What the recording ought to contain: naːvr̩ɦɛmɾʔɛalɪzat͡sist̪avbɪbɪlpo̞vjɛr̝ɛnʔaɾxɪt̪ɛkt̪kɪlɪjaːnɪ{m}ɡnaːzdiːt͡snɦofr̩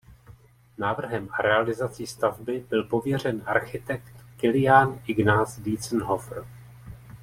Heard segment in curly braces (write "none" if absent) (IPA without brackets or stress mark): none